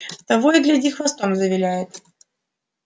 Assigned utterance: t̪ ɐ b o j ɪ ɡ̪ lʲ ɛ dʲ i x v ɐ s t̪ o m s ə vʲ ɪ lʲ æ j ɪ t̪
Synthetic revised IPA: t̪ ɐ v o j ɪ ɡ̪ lʲ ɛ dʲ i x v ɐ s t̪ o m z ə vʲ ɪ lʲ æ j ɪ t̪